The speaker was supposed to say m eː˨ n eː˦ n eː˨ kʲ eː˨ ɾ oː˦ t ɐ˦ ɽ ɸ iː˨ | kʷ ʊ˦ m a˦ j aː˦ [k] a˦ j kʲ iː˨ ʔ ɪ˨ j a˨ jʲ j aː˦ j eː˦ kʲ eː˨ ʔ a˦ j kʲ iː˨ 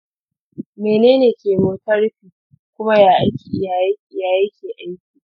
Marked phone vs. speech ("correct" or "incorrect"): incorrect